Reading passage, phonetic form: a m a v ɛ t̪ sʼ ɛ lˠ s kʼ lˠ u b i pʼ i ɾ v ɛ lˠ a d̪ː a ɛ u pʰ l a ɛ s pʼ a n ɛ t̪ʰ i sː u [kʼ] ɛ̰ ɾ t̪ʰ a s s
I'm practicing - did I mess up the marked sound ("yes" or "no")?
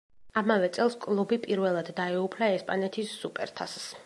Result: yes